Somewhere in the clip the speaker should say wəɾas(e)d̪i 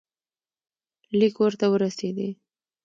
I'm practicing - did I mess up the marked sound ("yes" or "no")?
no